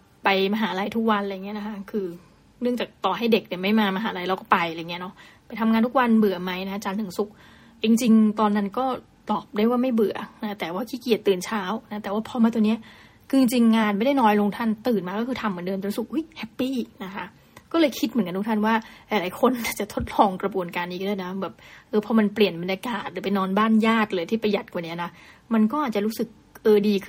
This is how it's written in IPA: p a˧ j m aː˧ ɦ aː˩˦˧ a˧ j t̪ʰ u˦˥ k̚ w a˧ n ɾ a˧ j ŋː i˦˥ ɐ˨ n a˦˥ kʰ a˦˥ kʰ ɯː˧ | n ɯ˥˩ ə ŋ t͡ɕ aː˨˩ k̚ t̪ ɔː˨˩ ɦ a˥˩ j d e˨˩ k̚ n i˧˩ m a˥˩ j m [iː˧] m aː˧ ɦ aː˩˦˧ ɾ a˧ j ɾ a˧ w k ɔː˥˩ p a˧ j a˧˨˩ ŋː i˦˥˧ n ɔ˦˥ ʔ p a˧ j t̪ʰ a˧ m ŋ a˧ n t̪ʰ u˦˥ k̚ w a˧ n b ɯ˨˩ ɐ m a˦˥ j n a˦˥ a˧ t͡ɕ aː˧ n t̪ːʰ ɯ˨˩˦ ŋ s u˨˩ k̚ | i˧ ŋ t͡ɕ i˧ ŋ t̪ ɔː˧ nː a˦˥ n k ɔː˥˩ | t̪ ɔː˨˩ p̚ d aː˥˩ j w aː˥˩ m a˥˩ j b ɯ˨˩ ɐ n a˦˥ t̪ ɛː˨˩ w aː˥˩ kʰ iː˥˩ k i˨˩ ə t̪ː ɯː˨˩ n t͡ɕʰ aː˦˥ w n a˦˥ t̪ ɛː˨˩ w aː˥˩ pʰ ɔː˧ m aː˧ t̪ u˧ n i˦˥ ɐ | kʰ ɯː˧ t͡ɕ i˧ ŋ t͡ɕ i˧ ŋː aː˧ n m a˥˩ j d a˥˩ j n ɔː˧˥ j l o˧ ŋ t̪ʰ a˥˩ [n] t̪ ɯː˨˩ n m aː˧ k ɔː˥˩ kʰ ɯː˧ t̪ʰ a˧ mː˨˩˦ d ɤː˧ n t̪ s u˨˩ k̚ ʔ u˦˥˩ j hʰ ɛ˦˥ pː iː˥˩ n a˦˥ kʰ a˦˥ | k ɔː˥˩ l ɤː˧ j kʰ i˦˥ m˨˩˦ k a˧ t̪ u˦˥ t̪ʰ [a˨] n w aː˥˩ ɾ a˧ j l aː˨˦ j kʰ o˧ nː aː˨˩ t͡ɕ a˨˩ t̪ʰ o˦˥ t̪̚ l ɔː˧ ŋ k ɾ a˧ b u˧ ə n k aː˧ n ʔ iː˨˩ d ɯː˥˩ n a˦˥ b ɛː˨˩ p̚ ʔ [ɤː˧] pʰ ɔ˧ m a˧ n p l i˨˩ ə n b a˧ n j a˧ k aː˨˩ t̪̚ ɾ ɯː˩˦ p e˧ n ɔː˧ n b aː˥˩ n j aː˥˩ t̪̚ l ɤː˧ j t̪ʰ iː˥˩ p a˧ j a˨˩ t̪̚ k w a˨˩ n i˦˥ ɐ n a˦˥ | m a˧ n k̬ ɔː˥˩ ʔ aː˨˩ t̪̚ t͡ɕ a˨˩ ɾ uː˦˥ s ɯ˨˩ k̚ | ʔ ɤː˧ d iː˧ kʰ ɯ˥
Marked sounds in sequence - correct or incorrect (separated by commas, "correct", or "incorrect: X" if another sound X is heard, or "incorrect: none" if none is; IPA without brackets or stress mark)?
incorrect: aː˧, correct, incorrect: a˥˩, correct